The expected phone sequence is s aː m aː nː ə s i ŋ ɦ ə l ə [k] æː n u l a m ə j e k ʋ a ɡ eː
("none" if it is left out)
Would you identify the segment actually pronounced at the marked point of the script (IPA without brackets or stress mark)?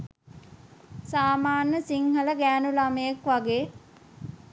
ɡ